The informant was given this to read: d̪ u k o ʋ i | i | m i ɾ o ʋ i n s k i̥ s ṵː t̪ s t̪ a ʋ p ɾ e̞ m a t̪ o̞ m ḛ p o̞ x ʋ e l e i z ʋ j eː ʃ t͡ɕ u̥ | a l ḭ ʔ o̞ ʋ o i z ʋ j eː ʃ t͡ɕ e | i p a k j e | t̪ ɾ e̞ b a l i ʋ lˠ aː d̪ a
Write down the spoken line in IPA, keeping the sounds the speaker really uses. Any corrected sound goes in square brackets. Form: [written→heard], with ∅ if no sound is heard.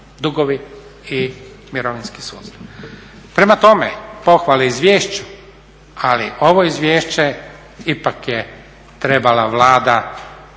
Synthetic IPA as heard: d̪ u [k→ɡ] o ʋ i | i | m i ɾ o ʋ i n s k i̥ s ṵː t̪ s t̪ a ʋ p ɾ e̞ m a t̪ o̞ m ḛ p o̞ x ʋ [e→a] l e i z ʋ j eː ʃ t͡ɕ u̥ | a l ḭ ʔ o̞ ʋ o i z ʋ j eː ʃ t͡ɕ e | i p a k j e | t̪ ɾ e̞ b a l [i→a] ʋ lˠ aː d̪ a